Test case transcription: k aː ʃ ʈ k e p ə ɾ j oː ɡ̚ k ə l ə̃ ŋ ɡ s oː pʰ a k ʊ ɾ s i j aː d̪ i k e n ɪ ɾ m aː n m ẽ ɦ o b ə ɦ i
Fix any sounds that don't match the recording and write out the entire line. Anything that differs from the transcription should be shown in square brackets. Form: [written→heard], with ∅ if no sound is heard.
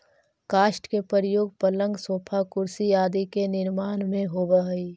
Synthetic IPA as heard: k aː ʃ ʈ k e p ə ɾ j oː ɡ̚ [k→p] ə l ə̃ ŋ ɡ s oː pʰ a k ʊ ɾ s i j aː d̪ i k e n ɪ ɾ m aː n m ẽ ɦ o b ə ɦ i